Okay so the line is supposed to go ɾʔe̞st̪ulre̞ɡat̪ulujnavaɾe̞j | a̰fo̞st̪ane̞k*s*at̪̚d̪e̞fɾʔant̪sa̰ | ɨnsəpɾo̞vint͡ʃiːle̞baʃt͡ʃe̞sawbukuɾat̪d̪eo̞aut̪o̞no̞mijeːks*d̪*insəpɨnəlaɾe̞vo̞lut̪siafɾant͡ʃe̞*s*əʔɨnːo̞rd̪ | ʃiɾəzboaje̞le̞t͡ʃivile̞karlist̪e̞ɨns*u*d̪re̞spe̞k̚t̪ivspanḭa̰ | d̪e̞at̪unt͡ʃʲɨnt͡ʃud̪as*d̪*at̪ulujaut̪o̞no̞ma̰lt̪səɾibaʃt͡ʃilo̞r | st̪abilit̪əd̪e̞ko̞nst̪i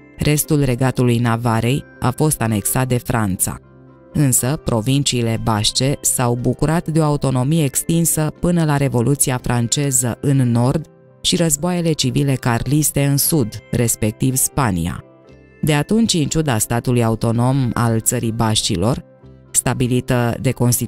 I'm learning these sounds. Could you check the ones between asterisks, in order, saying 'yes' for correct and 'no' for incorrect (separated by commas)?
yes, no, no, yes, no